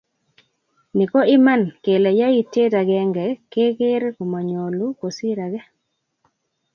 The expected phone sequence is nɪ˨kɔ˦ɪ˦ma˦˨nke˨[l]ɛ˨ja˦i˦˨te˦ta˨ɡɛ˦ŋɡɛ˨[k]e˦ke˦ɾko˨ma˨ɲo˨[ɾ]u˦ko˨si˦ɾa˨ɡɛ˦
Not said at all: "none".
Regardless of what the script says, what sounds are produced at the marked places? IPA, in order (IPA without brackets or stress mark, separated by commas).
l, k, l